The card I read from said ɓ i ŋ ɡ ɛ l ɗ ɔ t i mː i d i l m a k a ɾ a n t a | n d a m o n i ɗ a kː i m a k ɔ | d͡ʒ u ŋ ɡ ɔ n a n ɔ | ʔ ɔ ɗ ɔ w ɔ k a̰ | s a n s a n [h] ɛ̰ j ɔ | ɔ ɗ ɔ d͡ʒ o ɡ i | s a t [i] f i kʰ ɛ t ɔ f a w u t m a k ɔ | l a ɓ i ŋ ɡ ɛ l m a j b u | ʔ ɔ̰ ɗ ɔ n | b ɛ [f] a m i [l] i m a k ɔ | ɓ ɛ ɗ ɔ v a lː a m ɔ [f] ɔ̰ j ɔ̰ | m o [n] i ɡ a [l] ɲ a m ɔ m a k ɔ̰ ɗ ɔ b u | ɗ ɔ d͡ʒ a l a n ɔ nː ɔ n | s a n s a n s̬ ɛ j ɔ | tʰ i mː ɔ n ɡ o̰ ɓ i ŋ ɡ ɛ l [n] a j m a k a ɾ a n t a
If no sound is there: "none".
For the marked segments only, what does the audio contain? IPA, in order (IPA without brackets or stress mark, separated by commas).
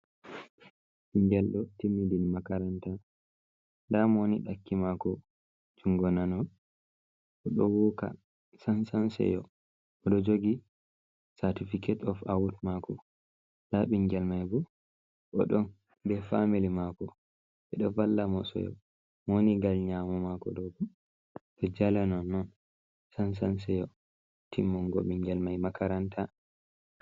s, i, f, l, s, n, l, m